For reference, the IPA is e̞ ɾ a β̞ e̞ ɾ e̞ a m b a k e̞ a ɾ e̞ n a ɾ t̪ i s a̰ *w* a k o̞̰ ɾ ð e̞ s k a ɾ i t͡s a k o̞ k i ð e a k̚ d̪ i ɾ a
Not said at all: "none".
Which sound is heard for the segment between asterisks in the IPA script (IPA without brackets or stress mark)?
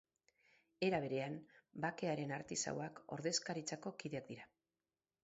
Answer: w